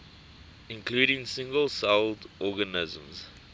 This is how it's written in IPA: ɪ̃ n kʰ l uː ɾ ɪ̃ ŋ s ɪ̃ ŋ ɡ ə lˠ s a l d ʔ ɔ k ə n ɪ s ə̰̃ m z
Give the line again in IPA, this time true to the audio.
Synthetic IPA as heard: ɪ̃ n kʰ l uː ɾ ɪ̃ ŋ s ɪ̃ ŋ ɡ ə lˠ s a l d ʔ ɔ ɡ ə n ɪ z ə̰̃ m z